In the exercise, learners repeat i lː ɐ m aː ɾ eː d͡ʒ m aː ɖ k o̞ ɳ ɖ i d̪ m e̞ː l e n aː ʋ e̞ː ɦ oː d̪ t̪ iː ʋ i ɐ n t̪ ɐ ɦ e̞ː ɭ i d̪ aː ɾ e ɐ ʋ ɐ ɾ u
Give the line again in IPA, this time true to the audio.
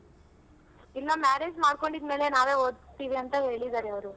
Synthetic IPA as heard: i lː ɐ m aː ɾ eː d͡ʒ m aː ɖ k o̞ ɳ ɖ i d̪ m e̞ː l e n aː ʋ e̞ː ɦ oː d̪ t̪ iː ʋ i ɐ n t̪ ɐ ɦ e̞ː ɭ i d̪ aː ɾ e ɐ ʋ ɐ ɾ u